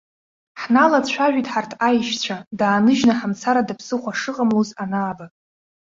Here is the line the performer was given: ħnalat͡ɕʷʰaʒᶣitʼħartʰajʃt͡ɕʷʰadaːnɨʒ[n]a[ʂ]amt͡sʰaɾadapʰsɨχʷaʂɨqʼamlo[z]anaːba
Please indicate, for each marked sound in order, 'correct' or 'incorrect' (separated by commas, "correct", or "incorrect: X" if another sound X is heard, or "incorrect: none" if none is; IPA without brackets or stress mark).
correct, incorrect: ħ, correct